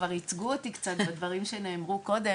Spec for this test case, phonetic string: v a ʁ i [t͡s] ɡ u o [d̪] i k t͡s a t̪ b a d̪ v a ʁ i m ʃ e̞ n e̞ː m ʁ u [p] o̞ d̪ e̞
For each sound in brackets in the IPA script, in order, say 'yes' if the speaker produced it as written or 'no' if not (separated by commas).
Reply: yes, no, no